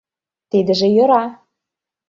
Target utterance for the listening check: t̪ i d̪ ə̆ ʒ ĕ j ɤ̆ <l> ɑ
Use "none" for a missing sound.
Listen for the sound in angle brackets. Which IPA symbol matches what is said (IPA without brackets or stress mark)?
ɾ